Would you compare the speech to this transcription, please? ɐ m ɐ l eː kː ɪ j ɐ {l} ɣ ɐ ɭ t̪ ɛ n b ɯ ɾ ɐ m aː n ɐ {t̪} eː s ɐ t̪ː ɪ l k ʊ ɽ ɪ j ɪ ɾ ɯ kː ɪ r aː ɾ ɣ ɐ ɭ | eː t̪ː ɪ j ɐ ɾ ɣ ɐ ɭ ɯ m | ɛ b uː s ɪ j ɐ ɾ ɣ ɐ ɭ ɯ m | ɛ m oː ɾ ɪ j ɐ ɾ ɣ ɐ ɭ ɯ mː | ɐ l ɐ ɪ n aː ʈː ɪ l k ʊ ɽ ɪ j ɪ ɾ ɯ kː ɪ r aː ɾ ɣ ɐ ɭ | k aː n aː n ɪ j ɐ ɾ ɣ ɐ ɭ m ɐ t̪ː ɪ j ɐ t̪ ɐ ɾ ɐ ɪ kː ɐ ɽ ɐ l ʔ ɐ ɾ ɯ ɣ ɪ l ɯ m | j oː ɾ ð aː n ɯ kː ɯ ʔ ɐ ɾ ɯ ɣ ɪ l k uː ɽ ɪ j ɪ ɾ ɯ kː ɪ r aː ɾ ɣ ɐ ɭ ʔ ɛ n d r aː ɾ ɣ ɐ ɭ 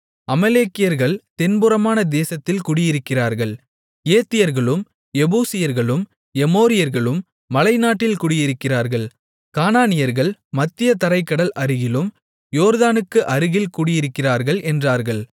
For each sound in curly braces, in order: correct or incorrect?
incorrect: ɾ, incorrect: d̪

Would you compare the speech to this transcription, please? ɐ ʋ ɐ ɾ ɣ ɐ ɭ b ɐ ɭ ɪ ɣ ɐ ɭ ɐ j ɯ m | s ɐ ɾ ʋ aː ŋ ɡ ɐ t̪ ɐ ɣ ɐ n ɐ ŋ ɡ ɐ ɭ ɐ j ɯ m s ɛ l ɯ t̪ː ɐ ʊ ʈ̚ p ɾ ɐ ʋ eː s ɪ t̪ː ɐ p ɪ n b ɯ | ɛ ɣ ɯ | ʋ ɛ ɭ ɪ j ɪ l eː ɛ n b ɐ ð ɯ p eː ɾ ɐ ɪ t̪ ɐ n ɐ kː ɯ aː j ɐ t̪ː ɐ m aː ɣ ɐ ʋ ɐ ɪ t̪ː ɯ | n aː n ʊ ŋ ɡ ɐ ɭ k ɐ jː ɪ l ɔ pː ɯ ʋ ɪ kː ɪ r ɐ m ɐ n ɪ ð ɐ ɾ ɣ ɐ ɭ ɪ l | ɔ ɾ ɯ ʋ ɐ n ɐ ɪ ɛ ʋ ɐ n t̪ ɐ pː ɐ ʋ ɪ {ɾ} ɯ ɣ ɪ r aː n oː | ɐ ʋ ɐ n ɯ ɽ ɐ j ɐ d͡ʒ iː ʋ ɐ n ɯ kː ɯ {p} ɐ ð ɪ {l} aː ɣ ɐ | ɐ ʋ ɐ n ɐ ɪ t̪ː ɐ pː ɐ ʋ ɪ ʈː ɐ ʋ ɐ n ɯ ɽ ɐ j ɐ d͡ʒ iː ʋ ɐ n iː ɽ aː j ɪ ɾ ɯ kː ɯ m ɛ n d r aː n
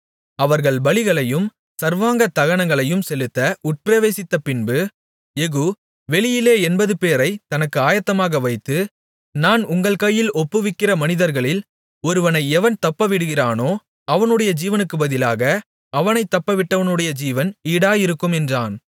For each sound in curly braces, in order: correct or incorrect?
incorrect: ɽ, incorrect: b, correct

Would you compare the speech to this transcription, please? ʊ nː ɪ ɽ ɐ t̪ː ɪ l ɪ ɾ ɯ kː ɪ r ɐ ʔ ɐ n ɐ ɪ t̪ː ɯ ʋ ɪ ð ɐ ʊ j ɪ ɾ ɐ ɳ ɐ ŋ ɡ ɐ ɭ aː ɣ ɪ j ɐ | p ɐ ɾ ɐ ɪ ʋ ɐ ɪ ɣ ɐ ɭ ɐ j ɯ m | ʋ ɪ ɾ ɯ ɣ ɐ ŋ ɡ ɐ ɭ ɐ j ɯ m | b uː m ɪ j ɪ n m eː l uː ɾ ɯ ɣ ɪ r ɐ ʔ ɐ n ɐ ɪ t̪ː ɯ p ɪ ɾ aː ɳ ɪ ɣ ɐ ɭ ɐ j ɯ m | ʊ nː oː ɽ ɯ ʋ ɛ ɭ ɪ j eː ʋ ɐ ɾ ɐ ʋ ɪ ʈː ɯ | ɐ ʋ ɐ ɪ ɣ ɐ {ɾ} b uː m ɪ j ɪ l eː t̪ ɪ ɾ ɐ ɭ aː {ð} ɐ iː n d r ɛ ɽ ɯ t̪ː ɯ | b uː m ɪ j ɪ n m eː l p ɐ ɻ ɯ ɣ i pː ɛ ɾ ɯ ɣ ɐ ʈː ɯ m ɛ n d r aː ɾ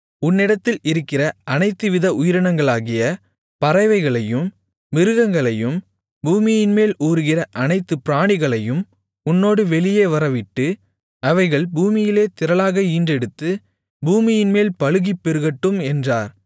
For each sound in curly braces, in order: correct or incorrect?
incorrect: ɭ, incorrect: ɣ

